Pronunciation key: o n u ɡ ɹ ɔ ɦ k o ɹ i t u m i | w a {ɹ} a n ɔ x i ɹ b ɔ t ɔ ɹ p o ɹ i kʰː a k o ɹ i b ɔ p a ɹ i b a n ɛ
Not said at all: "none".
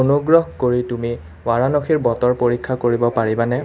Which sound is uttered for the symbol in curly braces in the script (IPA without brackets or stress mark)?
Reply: ɹ